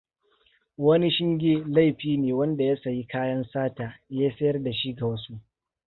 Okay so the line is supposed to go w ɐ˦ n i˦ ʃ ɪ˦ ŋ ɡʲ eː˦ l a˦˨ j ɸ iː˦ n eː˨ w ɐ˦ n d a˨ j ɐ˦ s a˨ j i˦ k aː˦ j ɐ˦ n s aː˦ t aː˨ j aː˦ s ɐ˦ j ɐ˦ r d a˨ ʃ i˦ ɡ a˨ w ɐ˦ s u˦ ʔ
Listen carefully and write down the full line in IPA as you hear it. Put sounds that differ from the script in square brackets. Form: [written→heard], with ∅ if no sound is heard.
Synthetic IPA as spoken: w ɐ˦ n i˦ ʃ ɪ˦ ŋ ɡʲ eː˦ l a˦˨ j ɸ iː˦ n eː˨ w ɐ˦ n d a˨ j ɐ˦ s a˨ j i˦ k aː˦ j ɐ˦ n s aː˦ t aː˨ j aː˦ s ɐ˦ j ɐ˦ r d a˨ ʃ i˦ ɡ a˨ w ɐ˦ s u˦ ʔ